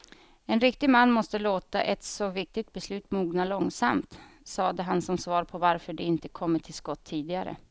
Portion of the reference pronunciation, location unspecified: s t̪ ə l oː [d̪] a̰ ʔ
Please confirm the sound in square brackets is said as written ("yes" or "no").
no